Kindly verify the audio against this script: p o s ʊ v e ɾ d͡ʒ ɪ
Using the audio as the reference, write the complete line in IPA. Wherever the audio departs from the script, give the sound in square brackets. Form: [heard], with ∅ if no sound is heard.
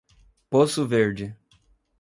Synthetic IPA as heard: p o s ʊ v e ɾ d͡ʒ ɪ